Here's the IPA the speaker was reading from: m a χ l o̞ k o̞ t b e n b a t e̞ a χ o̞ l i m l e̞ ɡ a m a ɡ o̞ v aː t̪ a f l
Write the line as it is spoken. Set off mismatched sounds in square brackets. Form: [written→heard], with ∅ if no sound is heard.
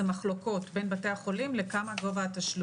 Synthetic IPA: m a χ l o̞ k o̞ t b e n b a t e̞ a χ o̞ l i m l e̞ [ɡ→k] a m a ɡ o̞ v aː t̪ a [f→ʃ] l